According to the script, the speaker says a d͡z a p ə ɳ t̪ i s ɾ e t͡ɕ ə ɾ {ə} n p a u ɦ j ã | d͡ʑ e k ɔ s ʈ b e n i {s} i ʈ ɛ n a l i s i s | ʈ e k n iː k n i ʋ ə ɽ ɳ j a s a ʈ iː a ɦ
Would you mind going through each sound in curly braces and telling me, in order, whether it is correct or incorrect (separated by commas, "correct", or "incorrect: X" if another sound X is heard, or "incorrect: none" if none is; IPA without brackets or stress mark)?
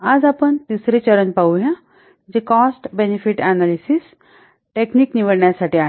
correct, incorrect: f